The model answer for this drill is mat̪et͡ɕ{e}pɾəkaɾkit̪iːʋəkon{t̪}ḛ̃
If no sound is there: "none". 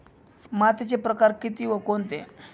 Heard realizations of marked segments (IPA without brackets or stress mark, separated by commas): e, t̪